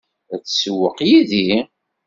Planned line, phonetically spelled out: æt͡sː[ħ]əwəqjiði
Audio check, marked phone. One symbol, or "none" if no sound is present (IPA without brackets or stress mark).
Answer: s